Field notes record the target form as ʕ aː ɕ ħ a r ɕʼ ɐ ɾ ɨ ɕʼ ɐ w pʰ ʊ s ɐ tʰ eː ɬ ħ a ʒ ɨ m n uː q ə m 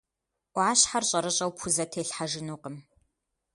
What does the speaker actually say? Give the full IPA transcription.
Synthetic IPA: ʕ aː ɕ ħ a r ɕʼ ɐ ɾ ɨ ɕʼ ɐ w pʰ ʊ z ɐ tʰ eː ɬ ħ a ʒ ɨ n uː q ə m